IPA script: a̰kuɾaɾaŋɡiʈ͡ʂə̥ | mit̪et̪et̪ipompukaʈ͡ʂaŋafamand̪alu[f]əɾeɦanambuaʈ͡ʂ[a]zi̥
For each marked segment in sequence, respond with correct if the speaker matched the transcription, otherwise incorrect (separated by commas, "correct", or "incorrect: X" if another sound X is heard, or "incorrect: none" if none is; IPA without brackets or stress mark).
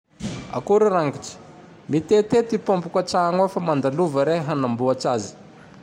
incorrect: v, correct